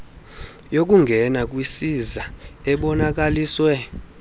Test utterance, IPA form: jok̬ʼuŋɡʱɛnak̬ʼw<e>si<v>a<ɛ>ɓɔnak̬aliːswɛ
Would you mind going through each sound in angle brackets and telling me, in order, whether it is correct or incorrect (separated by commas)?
incorrect, incorrect, correct